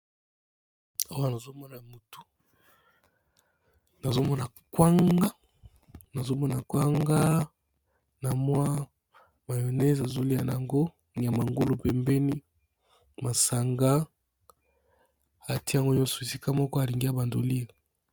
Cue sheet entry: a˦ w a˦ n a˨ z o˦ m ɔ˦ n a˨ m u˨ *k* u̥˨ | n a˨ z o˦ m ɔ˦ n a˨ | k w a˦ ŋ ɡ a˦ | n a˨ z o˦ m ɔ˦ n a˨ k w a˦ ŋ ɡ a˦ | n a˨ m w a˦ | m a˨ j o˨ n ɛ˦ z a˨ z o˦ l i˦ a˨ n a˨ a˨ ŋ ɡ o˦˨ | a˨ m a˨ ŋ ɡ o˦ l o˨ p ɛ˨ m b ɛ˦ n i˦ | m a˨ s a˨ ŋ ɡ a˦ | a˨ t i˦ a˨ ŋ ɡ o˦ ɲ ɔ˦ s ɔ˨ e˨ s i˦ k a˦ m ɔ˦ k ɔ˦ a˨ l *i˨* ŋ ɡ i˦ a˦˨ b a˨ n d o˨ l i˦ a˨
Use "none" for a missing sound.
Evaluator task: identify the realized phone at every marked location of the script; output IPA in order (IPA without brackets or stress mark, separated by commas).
t, i˨